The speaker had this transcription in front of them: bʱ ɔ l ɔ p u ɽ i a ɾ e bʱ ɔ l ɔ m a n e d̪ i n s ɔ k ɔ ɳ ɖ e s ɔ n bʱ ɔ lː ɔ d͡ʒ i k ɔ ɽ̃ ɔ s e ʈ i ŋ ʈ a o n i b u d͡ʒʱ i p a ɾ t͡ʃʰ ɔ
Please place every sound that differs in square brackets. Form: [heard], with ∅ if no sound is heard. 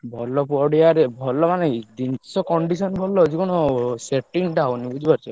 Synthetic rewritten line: bʱ ɔ l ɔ p [ɔ] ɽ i a ɾ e bʱ ɔ l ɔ m a n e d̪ i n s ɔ k ɔ ɳ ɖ [i] s ɔ n bʱ ɔ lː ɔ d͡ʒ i k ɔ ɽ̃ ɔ s e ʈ i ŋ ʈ a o n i b u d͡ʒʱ i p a ɾ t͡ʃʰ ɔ